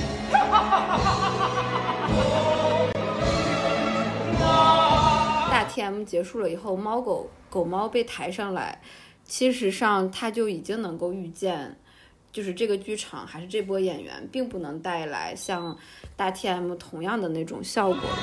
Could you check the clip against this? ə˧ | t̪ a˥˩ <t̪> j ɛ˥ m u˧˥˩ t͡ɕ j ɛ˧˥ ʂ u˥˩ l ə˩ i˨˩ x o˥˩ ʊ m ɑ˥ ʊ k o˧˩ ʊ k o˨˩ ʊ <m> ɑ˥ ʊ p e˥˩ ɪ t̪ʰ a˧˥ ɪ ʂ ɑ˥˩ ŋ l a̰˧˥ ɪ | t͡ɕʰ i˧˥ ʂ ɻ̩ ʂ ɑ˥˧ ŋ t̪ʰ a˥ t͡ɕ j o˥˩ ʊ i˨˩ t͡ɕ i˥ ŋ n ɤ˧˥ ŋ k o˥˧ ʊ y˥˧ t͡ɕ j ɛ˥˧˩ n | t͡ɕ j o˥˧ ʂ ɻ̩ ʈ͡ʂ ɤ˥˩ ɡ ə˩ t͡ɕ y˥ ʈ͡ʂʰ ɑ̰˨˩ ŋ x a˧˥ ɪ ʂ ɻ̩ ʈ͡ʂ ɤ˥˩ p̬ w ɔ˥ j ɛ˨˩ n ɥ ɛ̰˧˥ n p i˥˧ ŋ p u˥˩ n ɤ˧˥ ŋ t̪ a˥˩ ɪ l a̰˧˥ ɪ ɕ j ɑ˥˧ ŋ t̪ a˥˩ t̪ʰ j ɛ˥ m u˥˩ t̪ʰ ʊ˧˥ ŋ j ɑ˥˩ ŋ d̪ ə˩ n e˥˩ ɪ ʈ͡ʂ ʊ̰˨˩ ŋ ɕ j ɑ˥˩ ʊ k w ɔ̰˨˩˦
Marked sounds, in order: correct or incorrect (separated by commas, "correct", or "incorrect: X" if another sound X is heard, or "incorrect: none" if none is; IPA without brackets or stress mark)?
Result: incorrect: t̪ʰ, correct